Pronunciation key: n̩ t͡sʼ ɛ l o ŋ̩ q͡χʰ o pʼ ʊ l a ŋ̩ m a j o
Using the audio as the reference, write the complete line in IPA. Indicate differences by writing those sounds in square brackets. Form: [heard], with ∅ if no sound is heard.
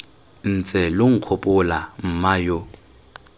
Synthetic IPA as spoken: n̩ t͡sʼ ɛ l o ŋ̩ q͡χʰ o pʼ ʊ l a [m̩] m a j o